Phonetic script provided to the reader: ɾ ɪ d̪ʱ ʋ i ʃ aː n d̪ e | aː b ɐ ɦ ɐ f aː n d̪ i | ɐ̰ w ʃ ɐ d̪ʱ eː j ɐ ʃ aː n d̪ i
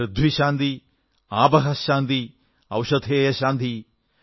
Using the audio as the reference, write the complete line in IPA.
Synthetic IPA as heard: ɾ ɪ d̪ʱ ʋ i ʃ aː n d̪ i | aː b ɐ ɦ ɐ ʃ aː n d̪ i | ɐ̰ w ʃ ɐ d̪ʱ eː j ɐ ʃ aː n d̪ i